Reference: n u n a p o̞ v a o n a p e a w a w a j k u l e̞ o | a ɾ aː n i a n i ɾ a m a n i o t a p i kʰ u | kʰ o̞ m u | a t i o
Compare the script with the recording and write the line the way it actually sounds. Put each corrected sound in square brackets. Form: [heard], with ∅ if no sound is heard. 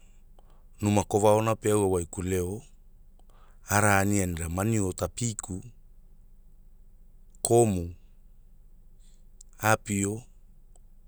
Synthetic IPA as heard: n u [m] a [k] o̞ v a o n a p e a w a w a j k u l e̞ o | a ɾ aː n i a n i ɾ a m a n i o t a p i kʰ u | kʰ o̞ m u | a [p] i o